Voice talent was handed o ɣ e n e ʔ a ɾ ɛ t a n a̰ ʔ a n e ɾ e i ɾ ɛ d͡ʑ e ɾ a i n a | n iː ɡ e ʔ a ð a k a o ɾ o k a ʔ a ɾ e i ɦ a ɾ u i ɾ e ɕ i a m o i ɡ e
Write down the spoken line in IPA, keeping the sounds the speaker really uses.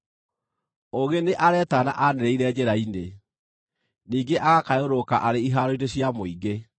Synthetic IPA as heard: o ɣ e n e ʔ a ɾ ɛ t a n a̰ ʔ a n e ɾ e i ɾ ɛ d͡ʑ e ɾ a i n e | n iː ɡ e ʔ a ɣ a k a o ɾ o k a ʔ a ɾ e i ɦ a ɾ o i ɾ e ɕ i a m o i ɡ e